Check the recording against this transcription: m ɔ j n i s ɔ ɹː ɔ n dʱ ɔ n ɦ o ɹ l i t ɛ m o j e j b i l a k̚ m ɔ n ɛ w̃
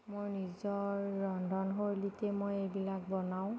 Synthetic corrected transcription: m o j n i z ɔ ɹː ɔ n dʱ ɔ n ɦ o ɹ l i t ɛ m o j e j b i l a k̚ b ɔ n a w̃